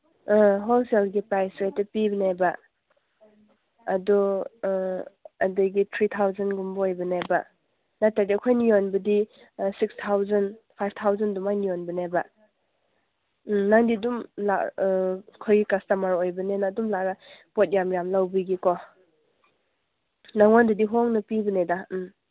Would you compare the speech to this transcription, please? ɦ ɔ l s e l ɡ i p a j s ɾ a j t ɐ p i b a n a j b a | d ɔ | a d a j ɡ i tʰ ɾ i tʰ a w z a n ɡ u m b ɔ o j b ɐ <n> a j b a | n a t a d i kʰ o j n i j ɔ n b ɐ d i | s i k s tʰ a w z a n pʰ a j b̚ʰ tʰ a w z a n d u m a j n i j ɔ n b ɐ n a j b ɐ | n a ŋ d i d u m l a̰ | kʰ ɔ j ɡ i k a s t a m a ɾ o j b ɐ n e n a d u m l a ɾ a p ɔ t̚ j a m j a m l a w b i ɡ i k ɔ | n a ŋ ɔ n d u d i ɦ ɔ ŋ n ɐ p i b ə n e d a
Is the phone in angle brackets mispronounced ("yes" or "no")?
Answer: no